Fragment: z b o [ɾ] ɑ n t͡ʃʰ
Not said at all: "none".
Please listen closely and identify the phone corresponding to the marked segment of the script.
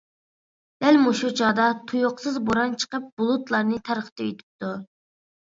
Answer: ɾ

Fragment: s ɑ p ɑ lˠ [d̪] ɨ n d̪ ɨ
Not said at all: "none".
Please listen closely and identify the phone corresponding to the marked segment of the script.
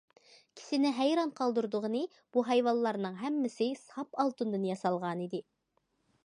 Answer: t̪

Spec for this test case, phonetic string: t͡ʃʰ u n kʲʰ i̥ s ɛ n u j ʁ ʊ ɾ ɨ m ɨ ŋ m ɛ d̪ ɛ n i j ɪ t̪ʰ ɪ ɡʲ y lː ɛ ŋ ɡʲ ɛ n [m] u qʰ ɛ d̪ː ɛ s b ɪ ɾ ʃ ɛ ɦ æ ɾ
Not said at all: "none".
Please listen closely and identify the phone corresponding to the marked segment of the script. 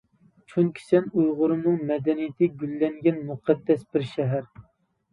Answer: m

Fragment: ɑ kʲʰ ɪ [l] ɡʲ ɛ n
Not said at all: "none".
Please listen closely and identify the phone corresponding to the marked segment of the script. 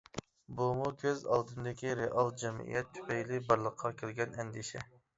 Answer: l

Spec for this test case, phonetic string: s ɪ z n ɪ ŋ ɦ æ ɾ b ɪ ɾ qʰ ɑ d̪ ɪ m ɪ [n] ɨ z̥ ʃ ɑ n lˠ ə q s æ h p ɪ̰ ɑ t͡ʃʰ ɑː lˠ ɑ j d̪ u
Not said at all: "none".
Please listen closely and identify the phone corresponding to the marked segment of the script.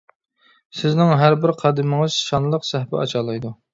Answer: ŋ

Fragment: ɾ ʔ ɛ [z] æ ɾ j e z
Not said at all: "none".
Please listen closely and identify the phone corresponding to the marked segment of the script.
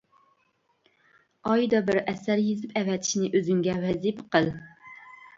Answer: s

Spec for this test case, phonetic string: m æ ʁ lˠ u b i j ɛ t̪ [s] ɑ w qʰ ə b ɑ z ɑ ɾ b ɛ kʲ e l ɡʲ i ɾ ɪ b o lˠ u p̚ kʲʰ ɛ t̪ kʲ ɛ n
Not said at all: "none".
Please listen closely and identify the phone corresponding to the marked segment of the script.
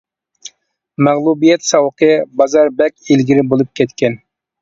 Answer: s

